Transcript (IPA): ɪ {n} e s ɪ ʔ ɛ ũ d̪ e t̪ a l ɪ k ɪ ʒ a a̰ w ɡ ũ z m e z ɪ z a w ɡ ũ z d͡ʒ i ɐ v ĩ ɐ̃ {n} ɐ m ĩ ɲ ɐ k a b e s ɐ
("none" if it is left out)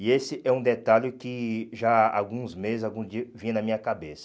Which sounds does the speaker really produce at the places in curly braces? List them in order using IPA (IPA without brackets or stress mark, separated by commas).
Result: none, n